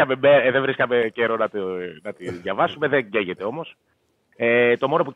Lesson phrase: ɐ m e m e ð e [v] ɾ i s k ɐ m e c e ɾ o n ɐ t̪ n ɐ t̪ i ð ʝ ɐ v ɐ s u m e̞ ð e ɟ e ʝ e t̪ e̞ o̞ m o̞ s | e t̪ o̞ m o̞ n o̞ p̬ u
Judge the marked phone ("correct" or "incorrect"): correct